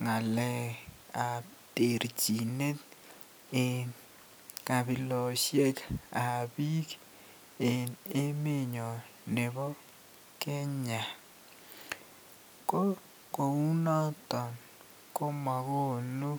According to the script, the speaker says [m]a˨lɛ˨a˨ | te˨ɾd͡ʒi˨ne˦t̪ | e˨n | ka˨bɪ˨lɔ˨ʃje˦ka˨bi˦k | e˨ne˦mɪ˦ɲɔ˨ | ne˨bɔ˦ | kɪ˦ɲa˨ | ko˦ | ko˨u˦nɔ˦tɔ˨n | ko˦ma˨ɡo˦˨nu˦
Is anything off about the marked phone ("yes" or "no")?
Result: yes